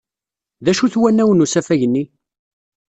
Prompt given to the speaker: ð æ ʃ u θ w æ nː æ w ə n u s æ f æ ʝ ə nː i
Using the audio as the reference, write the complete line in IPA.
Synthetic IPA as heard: ð æ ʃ u θ w æ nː æ w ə n u s æ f æ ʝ ə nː i